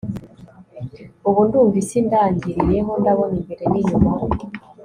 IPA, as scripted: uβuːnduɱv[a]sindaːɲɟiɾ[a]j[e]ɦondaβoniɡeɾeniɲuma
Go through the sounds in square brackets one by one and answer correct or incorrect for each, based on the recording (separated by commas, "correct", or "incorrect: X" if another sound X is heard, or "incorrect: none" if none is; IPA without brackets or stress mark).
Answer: incorrect: i, incorrect: i, correct